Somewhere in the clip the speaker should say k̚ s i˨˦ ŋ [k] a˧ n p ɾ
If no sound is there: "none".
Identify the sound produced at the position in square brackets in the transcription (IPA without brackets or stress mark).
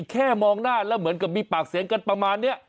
k